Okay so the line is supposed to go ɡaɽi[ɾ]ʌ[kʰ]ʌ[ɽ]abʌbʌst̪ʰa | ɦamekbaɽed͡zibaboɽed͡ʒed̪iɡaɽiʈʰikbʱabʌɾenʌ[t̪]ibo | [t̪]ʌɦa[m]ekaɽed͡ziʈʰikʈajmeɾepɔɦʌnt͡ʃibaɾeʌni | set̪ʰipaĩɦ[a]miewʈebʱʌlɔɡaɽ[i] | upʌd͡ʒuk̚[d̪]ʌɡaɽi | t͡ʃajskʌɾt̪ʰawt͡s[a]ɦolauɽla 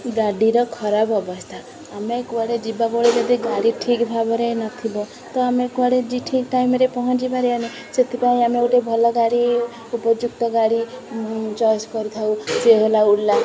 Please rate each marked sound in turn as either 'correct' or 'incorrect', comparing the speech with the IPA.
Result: correct, correct, incorrect: ɾ, incorrect: t̪ʰ, correct, correct, correct, correct, incorrect: t̪, incorrect: e

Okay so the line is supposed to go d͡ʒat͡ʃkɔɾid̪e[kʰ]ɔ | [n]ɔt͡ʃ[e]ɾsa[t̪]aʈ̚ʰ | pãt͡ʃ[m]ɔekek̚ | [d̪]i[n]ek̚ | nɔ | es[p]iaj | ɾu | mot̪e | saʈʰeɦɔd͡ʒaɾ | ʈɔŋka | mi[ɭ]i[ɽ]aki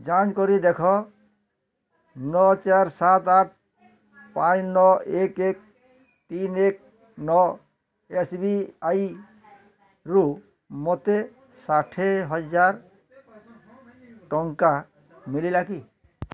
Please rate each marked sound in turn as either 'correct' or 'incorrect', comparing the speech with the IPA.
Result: correct, correct, incorrect: a, correct, incorrect: n, incorrect: t̪, correct, incorrect: b, incorrect: l, incorrect: l

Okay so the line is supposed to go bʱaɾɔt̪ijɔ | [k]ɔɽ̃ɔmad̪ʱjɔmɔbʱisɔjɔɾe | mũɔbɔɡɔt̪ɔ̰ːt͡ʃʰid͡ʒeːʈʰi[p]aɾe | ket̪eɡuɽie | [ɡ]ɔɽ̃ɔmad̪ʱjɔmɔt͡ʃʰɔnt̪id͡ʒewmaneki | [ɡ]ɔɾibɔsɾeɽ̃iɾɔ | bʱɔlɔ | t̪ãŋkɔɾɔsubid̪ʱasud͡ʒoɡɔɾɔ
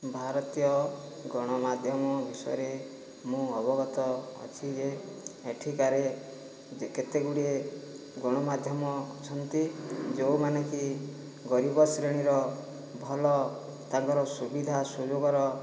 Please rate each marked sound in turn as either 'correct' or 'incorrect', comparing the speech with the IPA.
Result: incorrect: ɡ, incorrect: k, correct, correct

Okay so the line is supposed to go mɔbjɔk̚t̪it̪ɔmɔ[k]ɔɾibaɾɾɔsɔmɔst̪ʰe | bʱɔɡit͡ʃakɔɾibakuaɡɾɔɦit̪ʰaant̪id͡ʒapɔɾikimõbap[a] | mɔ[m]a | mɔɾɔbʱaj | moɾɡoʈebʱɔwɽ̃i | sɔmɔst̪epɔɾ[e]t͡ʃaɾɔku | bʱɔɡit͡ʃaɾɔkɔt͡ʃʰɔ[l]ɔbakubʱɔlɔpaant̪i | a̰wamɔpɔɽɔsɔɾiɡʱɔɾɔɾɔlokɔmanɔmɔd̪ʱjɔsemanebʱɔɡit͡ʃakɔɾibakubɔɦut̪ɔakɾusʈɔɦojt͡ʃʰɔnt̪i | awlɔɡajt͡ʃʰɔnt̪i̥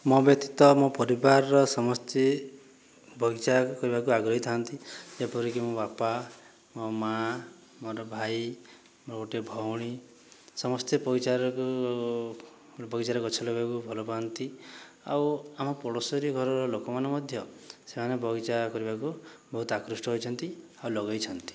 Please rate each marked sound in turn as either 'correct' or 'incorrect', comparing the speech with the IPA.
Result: incorrect: p, correct, correct, incorrect: i, correct

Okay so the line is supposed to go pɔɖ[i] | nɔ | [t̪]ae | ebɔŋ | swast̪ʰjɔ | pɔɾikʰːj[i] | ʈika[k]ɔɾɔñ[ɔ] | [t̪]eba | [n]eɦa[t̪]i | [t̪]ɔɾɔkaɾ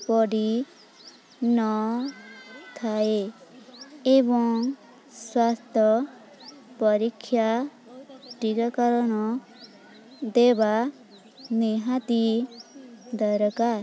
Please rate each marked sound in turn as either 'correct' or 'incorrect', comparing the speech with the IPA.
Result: correct, incorrect: t̪ʰ, incorrect: a, correct, correct, incorrect: d̪, correct, correct, incorrect: d̪

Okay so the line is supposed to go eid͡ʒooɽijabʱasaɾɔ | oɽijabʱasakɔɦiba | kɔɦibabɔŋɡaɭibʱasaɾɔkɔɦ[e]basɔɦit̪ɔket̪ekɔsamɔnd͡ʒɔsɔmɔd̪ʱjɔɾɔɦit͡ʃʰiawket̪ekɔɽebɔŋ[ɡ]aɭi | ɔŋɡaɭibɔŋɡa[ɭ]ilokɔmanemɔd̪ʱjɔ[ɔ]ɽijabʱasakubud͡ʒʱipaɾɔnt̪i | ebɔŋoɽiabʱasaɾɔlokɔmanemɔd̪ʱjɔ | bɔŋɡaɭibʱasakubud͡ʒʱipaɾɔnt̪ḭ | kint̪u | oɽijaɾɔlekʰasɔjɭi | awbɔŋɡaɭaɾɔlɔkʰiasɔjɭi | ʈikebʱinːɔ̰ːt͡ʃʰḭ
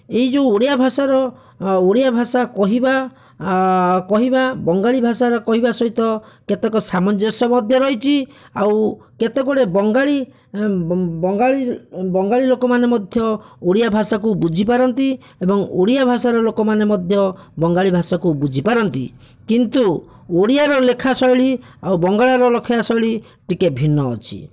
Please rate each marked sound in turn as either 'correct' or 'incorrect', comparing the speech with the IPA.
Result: incorrect: i, correct, correct, incorrect: o

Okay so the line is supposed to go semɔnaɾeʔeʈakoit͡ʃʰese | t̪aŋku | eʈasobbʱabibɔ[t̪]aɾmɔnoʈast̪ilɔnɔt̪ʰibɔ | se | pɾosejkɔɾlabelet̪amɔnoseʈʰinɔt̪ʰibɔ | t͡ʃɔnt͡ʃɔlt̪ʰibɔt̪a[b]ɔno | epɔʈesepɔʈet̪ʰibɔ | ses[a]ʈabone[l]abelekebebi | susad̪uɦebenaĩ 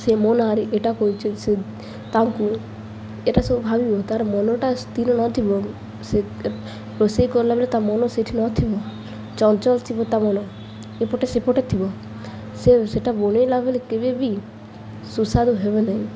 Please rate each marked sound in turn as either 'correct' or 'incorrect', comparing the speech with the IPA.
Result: correct, incorrect: m, incorrect: e, correct

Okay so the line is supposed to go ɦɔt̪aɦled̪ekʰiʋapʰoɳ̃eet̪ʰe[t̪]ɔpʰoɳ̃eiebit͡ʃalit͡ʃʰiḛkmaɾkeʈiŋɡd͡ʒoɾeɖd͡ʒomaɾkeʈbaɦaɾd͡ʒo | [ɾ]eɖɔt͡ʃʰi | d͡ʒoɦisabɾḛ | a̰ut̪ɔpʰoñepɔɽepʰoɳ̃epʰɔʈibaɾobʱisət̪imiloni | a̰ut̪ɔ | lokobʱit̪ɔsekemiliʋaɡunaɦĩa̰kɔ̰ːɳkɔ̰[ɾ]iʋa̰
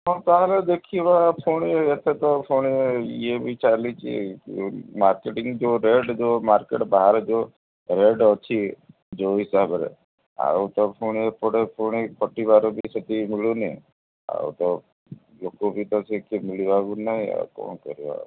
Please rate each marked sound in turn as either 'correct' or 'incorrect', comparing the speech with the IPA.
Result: correct, correct, correct

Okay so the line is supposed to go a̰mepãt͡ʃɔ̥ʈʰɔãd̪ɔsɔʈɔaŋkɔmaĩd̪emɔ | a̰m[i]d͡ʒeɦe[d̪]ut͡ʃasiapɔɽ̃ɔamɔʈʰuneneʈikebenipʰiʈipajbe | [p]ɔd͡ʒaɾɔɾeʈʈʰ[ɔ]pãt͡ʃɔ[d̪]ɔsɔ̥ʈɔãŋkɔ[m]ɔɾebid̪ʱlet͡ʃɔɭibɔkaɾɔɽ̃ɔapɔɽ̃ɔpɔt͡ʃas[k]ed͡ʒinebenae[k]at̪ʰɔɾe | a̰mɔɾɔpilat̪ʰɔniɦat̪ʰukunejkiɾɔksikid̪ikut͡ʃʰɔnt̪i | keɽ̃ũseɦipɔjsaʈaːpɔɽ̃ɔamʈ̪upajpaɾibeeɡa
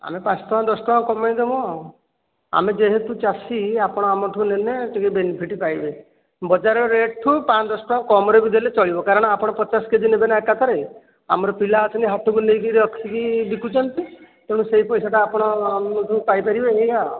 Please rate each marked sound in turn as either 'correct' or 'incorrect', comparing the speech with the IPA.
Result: incorrect: e, incorrect: t̪, incorrect: b, incorrect: u, correct, correct, correct, correct

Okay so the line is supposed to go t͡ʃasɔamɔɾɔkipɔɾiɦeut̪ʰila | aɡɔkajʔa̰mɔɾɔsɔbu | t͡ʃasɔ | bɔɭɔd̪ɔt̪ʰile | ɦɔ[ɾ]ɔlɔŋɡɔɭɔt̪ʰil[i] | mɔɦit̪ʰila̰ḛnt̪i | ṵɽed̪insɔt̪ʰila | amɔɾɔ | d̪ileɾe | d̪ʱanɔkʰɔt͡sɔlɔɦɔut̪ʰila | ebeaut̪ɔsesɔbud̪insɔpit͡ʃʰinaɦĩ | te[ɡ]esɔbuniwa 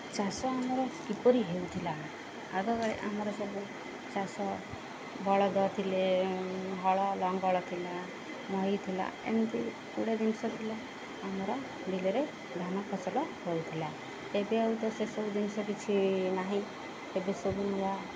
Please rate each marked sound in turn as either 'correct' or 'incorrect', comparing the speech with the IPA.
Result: incorrect: ɭ, incorrect: a, incorrect: b

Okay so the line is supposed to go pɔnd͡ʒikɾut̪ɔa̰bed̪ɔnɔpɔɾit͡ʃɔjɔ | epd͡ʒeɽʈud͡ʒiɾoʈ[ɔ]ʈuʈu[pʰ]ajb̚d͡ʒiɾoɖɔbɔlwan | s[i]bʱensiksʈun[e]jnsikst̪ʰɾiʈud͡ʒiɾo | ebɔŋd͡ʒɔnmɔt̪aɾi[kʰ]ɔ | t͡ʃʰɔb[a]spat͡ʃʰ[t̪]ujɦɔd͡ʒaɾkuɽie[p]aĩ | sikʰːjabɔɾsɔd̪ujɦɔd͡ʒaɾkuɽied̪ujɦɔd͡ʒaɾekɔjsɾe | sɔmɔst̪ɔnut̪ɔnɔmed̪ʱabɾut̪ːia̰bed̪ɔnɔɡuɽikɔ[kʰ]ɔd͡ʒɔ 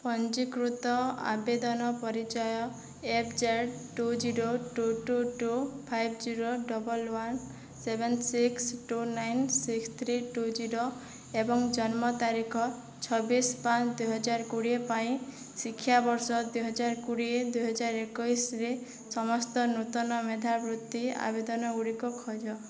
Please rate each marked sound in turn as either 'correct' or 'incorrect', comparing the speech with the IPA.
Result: incorrect: u, correct, incorrect: e, incorrect: a, correct, incorrect: i, incorrect: d̪, correct, correct

